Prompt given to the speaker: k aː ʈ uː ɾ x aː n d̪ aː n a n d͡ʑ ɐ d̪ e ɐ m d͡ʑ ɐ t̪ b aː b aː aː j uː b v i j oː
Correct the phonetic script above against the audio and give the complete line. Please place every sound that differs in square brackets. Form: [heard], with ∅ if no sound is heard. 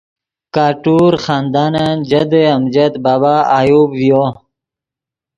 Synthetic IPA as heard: k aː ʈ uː ɾ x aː n d̪ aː n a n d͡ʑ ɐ d̪ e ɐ m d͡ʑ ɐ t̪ b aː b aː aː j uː b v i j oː